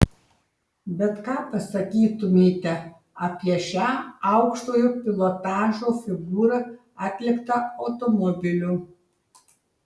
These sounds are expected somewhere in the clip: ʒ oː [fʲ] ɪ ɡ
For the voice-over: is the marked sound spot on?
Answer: yes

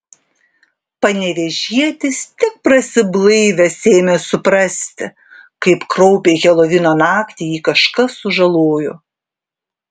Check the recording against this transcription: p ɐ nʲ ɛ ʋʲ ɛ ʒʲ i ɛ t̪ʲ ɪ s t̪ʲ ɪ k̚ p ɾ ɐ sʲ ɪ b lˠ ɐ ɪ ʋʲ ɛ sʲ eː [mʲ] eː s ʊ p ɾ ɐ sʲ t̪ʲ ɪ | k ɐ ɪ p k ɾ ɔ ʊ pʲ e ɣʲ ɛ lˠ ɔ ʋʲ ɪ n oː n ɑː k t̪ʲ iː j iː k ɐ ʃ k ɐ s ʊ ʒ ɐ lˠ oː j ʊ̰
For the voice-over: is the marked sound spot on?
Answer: yes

